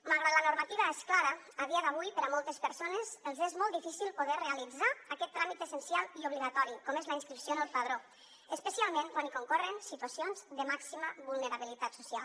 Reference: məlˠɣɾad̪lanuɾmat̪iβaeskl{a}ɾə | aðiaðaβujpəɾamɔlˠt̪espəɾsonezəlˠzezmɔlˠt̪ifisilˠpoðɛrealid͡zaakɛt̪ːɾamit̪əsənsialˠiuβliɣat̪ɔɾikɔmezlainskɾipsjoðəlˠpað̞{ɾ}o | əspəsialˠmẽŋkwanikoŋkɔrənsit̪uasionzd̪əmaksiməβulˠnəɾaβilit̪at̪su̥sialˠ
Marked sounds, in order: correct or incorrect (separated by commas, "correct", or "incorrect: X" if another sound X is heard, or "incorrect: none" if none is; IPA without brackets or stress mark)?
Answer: correct, correct